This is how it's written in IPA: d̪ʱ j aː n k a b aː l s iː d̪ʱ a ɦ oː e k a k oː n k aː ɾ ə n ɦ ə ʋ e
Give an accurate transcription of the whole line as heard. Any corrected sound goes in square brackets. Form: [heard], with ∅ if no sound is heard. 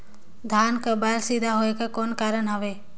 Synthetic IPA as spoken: d̪ʱ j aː n k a b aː l s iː d̪ʱ a ɦ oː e k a k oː n k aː ɾ ə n ɦ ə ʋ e